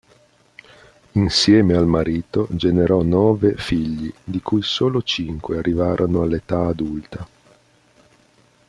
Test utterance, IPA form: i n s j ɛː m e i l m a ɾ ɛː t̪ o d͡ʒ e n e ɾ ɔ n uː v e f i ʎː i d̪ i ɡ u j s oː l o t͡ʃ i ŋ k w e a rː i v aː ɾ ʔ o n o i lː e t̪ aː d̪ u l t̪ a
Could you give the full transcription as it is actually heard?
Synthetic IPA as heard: i n s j ɛː m e a l m a ɾ iː t̪ o d͡ʒ e n e ɾ ɔ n ɔː v e f i ʎː i d̪ i k u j s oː l o t͡ʃ i ŋ k w e a rː i v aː ɾ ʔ o n o a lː e t̪ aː d̪ u l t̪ a